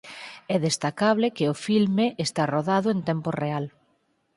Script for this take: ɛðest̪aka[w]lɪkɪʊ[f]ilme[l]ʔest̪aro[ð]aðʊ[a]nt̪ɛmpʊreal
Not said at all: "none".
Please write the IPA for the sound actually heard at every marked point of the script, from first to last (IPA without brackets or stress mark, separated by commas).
β, f, none, ð, e